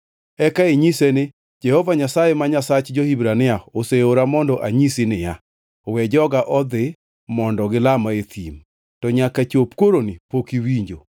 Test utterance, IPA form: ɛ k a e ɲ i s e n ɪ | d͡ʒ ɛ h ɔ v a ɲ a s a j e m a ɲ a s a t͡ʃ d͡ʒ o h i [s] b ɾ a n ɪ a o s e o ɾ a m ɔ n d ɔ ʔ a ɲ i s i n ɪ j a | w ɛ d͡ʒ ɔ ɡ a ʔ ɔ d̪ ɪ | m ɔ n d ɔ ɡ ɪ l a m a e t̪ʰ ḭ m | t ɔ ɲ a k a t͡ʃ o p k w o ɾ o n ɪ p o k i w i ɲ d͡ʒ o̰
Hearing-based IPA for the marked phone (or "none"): none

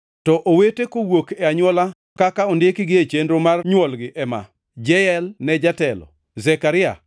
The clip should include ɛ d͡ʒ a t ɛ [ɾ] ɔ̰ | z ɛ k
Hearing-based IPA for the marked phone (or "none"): l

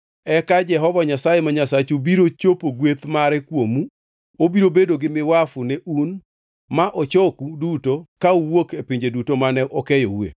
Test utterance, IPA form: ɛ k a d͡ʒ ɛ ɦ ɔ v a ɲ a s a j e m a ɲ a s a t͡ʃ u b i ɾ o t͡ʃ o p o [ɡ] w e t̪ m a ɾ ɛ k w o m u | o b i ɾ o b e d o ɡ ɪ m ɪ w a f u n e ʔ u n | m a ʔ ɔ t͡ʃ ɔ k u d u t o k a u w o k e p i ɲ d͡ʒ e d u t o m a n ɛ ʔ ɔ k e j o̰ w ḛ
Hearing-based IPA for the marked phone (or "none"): ɡ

